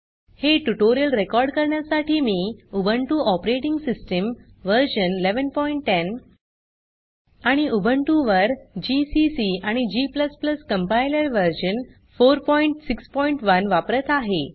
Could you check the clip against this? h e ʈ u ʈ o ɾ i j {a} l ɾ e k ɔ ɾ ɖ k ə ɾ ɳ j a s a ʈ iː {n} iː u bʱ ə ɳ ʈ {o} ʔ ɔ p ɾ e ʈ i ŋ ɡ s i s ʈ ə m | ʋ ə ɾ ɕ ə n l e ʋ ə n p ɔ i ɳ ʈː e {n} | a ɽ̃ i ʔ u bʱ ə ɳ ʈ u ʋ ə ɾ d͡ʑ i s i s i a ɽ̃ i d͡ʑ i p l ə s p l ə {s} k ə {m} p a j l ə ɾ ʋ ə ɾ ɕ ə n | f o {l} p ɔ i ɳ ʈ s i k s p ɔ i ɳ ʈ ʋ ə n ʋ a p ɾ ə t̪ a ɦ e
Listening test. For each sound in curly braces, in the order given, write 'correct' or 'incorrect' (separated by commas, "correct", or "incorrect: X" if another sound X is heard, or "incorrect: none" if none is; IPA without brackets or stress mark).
incorrect: ə, incorrect: m, incorrect: u, correct, correct, correct, incorrect: ɾ